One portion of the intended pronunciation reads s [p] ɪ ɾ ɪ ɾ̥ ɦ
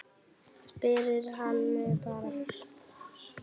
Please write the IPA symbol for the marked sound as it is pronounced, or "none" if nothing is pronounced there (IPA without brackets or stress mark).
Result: p